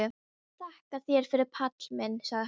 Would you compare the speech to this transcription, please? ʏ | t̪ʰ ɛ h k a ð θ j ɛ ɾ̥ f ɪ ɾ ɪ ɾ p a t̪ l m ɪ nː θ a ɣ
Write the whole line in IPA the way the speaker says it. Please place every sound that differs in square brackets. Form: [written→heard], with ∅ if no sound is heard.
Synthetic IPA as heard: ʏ | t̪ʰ [ɛ→a] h k a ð θ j ɛ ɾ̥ f ɪ ɾ ɪ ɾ [p→pʰ] a t̪ l m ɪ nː [θ→s] a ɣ